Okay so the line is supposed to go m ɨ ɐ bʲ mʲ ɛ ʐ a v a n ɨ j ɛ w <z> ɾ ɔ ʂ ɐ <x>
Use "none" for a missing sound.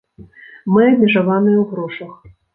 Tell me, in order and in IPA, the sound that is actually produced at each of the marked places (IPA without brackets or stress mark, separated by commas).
ɣ, x